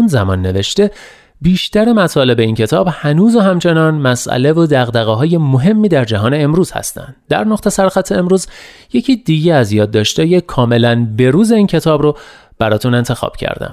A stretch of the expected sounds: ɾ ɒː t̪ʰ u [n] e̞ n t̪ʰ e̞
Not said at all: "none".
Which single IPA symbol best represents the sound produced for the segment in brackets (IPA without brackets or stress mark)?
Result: n